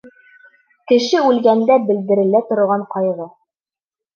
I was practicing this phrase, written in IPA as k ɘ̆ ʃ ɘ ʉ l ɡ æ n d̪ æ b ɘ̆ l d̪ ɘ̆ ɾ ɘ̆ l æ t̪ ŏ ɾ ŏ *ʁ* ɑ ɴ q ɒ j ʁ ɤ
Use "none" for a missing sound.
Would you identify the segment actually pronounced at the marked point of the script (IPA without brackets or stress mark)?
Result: ʁ